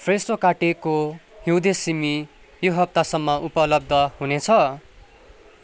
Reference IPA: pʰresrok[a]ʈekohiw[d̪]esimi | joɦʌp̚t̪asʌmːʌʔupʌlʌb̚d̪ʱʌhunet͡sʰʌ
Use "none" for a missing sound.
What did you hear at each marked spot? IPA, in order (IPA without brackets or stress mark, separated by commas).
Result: a, d̪